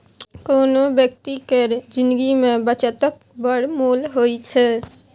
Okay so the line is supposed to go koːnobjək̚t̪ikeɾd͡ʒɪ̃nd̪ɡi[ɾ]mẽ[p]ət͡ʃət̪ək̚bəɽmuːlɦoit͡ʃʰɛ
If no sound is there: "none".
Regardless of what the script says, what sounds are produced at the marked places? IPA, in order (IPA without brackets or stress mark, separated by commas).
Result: none, b